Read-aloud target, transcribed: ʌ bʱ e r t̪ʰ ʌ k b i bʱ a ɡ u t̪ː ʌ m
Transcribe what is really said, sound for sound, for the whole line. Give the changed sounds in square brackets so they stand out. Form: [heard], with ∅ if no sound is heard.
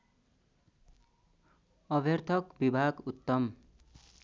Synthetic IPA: ʌ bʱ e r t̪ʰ ʌ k b i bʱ a ɡ u t̪ː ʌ m